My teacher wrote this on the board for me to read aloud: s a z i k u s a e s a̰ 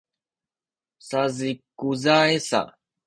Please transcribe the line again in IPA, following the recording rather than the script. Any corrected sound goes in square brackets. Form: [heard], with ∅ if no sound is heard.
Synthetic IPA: s a z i k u [z] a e s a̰